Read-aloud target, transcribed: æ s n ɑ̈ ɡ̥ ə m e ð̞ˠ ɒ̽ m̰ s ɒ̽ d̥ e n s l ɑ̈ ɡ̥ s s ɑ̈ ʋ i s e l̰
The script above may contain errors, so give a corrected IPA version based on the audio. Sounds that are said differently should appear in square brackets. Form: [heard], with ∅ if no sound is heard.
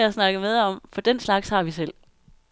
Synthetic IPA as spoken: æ s n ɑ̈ ɡ̥ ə m e ð̞ˠ ɒ̽ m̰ [f] ɒ̽ d̥ e n s l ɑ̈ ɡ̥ s [h] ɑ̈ ʋ i s e l̰